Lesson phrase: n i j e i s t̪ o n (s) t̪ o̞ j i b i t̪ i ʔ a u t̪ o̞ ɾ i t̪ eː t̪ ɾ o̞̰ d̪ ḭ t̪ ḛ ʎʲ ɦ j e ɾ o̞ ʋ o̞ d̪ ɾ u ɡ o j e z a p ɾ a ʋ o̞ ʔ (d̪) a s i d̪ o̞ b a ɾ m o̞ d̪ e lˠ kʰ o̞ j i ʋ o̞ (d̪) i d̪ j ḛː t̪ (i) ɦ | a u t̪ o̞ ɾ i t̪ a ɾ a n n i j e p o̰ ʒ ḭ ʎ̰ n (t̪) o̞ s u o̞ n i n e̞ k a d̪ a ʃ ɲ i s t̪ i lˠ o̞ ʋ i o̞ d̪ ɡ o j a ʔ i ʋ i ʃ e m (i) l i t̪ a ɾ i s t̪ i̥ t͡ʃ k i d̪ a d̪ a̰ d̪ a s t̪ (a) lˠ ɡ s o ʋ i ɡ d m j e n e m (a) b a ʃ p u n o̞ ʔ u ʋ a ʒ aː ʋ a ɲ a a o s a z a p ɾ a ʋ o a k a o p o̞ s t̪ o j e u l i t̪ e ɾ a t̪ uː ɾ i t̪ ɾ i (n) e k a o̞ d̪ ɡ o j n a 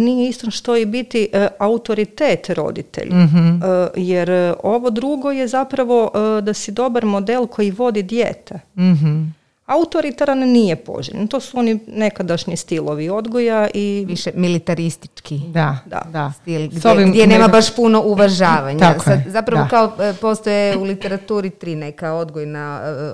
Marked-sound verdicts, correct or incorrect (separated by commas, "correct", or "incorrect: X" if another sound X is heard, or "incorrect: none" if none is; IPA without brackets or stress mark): incorrect: ʃ, correct, correct, incorrect: e, correct, correct, incorrect: i, correct, correct